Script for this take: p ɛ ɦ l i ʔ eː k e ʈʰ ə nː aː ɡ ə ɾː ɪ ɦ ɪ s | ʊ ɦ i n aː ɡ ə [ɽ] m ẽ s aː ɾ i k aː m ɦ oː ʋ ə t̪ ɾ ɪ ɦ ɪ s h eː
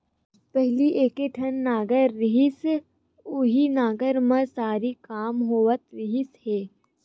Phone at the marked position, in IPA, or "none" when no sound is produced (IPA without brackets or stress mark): ɾ